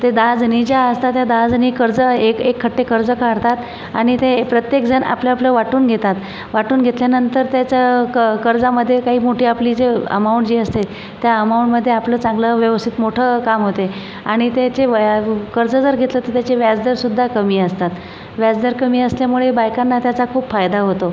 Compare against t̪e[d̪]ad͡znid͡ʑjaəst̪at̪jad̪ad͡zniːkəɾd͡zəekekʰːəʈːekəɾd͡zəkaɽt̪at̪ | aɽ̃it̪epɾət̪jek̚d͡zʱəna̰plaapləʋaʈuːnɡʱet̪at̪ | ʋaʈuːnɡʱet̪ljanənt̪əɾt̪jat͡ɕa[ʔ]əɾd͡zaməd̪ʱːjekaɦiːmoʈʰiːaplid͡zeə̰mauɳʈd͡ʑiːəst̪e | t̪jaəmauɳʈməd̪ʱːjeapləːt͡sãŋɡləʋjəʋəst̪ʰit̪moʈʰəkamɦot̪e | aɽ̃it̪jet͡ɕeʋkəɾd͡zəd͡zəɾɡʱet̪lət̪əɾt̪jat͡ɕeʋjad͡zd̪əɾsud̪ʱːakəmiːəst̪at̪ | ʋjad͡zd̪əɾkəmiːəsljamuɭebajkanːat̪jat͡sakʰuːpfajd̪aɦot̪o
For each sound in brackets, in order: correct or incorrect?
correct, incorrect

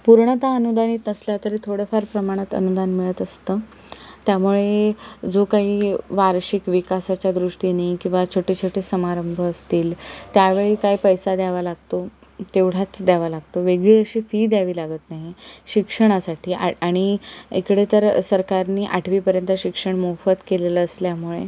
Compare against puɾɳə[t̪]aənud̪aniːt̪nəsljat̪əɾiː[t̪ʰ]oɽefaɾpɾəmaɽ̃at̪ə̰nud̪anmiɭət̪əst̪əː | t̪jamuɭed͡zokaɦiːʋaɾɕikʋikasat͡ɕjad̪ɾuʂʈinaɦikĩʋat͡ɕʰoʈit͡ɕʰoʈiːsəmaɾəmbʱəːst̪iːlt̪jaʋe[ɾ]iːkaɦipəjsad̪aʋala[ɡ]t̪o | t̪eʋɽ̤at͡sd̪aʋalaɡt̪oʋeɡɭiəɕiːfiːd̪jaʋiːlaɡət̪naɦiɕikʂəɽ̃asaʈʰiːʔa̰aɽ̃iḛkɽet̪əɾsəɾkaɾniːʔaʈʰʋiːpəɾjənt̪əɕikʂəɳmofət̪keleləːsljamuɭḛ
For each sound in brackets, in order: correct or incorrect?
correct, correct, incorrect, correct

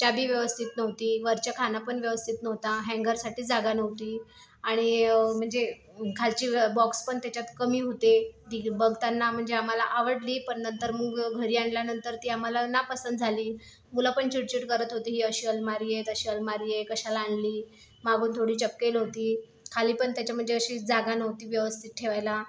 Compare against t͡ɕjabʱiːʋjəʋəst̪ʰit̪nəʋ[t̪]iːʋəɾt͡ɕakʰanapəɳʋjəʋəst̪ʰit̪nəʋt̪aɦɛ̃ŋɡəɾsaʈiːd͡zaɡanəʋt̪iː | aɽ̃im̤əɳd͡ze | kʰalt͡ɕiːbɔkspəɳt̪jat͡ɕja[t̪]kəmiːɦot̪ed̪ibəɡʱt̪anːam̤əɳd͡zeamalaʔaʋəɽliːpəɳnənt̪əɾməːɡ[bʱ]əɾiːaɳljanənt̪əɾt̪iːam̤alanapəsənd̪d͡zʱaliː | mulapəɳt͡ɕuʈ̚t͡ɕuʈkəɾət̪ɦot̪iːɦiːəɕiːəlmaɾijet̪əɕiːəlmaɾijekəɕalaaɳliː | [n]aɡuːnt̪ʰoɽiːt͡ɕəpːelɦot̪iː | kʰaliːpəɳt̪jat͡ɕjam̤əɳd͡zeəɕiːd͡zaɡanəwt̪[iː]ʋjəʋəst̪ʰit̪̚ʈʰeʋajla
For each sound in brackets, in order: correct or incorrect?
correct, correct, incorrect, incorrect, correct

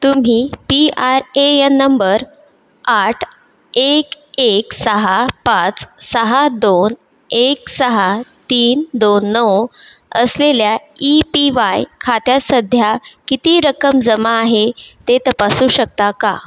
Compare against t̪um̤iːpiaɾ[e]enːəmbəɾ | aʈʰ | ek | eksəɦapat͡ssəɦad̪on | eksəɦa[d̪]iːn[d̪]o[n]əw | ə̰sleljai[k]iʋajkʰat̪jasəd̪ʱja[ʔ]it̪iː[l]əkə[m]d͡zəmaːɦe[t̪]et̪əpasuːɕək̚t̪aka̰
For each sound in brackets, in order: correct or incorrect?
correct, incorrect, correct, incorrect, incorrect, incorrect, incorrect, correct, correct

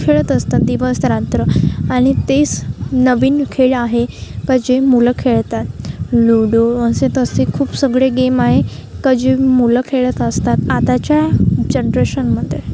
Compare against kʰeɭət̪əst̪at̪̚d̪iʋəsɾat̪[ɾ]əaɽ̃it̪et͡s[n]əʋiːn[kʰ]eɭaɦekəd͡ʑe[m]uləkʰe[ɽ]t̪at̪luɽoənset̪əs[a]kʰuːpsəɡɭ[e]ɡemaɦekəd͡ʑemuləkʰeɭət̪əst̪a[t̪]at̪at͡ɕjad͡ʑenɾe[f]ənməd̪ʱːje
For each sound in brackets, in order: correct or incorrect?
correct, correct, correct, correct, incorrect, incorrect, correct, correct, incorrect

